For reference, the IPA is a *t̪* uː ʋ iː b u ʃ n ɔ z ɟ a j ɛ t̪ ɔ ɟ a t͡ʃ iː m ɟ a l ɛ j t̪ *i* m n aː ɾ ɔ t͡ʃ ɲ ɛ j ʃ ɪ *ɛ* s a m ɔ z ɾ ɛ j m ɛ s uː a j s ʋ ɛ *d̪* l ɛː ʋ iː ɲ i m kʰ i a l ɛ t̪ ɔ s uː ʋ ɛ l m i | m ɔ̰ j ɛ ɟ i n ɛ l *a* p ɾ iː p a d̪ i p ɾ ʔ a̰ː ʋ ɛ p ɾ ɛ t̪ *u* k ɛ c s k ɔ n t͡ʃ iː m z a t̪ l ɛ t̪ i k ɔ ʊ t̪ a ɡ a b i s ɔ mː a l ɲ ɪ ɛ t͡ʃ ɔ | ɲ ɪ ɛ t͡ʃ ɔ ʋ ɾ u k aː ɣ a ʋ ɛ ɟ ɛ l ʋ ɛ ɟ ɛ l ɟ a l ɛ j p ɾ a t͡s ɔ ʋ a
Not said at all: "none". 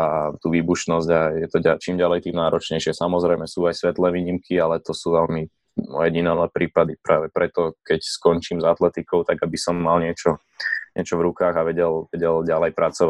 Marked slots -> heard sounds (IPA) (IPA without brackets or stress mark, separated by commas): t̪, iː, ɛ, t̪, ɛ, ɔ